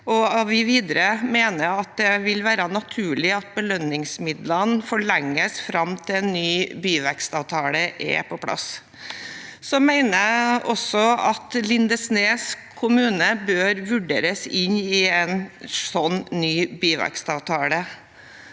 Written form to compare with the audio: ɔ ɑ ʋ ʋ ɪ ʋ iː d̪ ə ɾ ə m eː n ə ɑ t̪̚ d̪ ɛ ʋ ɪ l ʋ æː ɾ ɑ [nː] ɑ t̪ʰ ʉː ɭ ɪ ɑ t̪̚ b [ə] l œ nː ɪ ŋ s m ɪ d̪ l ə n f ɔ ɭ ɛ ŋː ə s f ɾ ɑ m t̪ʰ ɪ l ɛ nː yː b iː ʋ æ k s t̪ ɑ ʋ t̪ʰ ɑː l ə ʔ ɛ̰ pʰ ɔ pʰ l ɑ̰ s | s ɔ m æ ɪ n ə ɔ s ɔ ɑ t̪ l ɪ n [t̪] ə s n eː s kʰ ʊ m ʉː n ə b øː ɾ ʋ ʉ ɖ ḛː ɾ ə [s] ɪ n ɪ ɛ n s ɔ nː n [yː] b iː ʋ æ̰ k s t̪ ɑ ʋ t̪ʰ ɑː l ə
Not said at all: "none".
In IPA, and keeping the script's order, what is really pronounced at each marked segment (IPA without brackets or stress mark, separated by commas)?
n, ə, d̪, s, yː